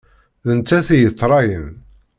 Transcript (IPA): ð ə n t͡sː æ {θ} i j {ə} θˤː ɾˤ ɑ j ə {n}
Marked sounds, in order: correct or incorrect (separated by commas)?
correct, correct, correct